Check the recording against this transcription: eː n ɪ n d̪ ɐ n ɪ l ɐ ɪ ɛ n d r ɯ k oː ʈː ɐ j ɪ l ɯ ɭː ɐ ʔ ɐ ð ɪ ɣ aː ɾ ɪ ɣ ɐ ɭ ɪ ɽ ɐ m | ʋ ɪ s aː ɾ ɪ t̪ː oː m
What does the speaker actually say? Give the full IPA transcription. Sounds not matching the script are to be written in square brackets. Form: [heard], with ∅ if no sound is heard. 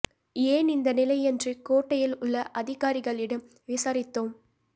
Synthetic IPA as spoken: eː n ɪ n d̪ ɐ n ɪ l ɐ ɪ ɛ n d r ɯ k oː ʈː ɐ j ɪ l [ʊ] ɭː ɐ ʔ ɐ ð ɪ ɣ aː ɾ ɪ ɣ ɐ ɭ ɪ ɽ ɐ m | ʋ ɪ s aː ɾ ɪ t̪ː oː m